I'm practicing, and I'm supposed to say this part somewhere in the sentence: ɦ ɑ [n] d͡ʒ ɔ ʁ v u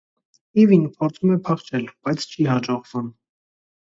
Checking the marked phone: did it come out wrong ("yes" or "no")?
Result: yes